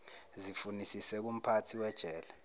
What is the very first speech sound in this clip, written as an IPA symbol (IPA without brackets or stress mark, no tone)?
z